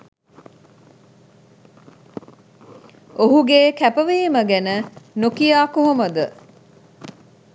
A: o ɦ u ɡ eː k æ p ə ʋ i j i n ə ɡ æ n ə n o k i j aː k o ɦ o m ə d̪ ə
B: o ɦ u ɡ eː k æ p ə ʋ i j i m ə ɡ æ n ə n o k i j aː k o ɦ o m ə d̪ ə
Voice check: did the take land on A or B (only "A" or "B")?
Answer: B